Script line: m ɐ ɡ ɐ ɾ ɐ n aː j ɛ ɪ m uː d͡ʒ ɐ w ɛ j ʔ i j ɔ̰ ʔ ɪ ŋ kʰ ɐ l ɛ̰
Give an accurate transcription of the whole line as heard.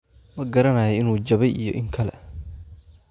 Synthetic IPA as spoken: m ɐ ɡ ɐ ɾ ɐ n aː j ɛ ɪ n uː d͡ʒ ɐ β ɛ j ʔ i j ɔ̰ ʔ ɪ ŋ kʰ ɐ l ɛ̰